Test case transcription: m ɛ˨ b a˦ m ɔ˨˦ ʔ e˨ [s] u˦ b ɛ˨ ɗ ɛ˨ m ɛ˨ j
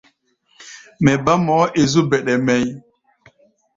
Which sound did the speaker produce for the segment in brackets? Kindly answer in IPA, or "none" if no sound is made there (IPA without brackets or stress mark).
z